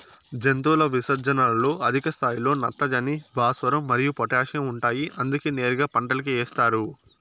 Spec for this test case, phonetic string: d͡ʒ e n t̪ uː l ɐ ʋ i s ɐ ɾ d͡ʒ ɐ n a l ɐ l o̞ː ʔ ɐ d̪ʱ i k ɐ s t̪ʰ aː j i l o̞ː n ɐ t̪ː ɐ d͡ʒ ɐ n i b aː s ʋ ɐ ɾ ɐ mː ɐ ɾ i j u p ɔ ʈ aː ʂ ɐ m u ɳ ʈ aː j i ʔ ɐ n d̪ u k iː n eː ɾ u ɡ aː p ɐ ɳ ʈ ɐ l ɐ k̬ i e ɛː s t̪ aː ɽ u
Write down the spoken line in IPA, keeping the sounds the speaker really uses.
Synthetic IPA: d͡ʒ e n t̪ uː l ɐ ʋ i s ɐ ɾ d͡ʒ ɐ n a l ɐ l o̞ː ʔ ɐ d̪ʱ i k ɐ s t̪ʰ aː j i l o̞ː n ɐ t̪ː ɐ d͡ʒ ɐ n i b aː s ʋ ɐ ɾ ɐ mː ɐ ɾ i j u p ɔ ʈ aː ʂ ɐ m u ɳ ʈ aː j i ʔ ɐ n d̪ u k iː n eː ɾ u ɡ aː p ɐ ɳ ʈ ɐ l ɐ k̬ i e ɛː s t̪ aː ɾ u